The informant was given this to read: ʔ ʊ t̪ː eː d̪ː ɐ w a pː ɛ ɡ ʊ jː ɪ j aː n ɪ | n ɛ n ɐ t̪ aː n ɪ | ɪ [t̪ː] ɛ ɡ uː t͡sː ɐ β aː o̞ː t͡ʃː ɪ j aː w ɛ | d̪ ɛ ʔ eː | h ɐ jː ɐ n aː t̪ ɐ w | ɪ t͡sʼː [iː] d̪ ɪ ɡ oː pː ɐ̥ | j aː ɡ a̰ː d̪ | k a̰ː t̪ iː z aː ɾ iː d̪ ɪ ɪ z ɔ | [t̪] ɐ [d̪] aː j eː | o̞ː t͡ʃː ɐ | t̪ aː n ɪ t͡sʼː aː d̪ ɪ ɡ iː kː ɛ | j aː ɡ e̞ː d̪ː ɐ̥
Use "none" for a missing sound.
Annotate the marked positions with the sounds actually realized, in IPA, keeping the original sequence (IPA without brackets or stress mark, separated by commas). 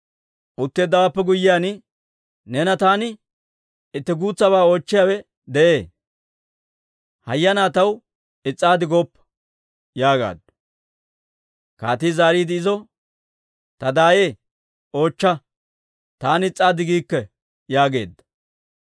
t̪ː, aː, t̪, d̪